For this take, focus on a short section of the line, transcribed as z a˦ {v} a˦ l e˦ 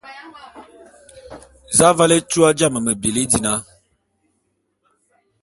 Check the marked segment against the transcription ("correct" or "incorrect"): correct